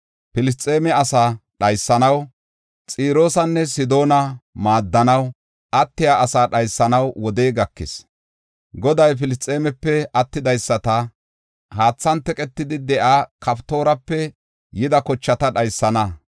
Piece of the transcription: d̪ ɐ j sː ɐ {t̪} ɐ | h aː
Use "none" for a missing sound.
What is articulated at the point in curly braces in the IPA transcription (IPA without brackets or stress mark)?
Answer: t̪